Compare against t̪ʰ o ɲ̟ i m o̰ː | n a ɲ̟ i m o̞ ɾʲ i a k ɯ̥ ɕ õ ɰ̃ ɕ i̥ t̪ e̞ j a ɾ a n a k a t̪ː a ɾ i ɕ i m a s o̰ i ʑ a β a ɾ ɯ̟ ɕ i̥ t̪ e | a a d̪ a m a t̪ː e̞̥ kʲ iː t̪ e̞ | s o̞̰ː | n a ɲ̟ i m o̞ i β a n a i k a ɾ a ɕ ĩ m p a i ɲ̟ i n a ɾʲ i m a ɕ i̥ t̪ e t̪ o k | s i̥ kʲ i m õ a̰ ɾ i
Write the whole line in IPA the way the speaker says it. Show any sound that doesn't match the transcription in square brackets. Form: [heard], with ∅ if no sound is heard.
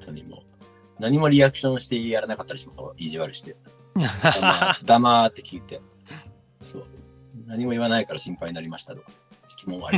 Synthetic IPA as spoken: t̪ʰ o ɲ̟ i m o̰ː | n a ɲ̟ i m o̞ ɾʲ i a k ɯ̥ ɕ õ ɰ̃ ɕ i̥ t̪ e̞ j a ɾ a n a k a t̪ː a ɾ i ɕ i m a s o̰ i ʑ [i] β a ɾ ɯ̟ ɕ i̥ t̪ e | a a d̪ a m a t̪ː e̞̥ kʲ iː t̪ e̞ | s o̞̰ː | n a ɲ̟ i m o̞ i β a n a i k a ɾ a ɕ ĩ m p a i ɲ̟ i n a ɾʲ i m a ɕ i̥ t̪ [a] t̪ o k | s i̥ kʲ i m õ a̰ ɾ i